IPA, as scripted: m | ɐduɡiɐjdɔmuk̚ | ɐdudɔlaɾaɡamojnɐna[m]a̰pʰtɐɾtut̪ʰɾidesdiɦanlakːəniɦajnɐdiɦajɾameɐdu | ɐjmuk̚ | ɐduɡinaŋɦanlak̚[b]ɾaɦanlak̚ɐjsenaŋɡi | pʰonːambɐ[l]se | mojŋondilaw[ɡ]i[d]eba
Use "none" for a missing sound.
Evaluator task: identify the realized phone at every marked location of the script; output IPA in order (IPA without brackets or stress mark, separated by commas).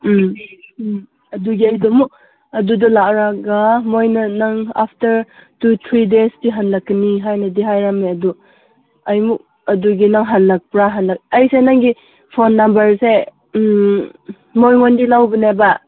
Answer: ŋ, p, ɾ, b, n